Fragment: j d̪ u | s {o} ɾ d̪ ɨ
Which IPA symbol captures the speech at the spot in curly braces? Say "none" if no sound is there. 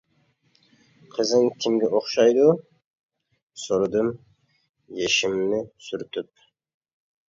o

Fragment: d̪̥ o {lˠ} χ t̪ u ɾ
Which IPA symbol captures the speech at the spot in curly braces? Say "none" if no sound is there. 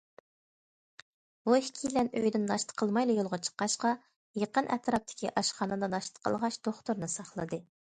none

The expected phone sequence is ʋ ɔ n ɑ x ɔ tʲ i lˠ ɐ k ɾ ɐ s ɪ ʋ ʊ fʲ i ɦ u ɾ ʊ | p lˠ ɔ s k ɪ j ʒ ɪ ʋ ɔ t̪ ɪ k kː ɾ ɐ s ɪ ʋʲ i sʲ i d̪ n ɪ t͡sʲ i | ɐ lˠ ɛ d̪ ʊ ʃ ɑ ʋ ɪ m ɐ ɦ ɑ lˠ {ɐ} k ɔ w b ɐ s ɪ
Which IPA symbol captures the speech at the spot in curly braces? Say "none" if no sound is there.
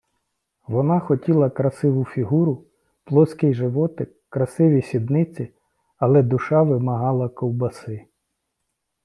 ɐ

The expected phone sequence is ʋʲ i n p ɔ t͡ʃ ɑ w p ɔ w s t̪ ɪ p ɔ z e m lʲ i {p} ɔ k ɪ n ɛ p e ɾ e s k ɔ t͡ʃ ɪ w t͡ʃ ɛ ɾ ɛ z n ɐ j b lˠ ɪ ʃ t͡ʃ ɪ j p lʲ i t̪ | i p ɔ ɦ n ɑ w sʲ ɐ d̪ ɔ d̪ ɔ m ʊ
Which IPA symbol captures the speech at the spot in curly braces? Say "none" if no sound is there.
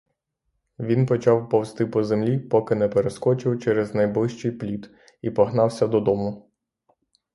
p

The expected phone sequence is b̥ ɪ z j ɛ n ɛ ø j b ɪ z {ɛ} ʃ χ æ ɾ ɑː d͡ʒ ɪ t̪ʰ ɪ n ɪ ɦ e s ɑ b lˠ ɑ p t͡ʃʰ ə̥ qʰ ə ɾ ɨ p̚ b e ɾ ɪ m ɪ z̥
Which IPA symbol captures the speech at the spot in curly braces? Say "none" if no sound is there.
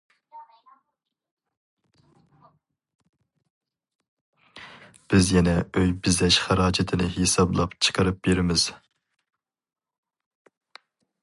ɛ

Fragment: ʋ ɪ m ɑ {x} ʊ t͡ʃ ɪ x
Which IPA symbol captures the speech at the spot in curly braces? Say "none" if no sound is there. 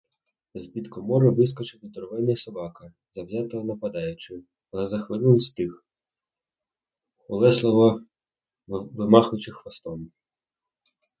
x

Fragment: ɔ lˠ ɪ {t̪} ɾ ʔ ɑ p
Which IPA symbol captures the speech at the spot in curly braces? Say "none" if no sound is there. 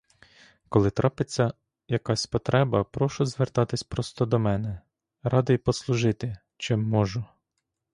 t̪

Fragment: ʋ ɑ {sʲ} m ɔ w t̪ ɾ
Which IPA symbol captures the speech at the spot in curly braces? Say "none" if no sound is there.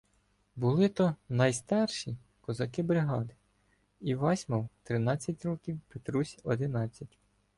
sʲ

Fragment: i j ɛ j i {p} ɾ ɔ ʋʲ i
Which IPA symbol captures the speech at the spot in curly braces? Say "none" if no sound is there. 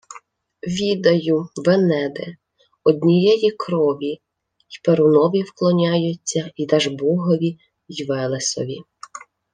k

